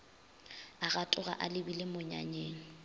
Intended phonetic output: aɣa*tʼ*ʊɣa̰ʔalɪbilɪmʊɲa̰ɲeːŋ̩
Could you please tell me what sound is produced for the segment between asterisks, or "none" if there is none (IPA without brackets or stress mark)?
tʼ